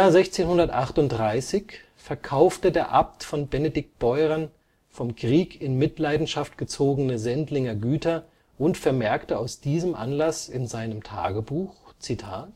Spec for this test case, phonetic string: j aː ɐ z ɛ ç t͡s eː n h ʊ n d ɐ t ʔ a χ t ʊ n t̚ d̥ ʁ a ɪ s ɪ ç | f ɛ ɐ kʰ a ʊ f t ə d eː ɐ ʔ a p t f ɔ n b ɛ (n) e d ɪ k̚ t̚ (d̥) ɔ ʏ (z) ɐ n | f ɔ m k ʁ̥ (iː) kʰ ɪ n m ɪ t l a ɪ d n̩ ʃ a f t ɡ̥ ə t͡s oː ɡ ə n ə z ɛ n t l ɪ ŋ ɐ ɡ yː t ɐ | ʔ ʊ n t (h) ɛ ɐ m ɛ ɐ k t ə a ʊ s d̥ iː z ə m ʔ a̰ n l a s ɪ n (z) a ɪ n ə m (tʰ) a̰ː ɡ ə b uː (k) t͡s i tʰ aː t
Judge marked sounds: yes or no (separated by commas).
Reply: yes, no, no, yes, no, yes, yes, no